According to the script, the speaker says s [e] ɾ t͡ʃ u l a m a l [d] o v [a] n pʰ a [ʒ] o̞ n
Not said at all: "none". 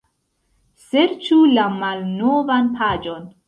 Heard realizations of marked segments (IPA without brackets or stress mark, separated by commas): e, n, a, d͡ʒ